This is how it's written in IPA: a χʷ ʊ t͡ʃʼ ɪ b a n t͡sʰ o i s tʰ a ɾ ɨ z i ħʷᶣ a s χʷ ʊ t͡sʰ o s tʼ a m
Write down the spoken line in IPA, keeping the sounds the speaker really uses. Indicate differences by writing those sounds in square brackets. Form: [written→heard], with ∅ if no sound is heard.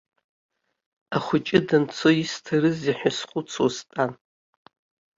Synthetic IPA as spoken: a χʷ ʊ t͡ʃʼ ɪ [b→d] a n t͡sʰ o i s tʰ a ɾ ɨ z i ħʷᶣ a s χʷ ʊ t͡sʰ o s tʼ a [m→n]